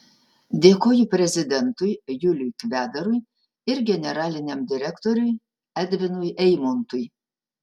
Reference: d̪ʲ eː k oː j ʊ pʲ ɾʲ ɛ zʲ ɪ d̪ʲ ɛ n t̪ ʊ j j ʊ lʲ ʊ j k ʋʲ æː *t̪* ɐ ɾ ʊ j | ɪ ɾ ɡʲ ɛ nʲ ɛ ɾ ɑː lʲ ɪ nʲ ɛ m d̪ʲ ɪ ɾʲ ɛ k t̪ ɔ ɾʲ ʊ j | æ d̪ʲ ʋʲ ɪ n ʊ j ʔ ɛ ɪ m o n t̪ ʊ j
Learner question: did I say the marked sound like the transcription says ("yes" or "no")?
no